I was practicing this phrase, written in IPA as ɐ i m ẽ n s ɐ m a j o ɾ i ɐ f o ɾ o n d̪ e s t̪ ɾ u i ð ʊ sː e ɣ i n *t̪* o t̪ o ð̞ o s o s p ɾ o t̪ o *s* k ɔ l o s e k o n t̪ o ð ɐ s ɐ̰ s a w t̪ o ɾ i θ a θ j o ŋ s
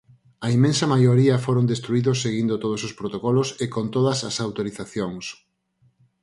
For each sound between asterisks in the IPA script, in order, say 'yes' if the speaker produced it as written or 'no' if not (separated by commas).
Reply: no, no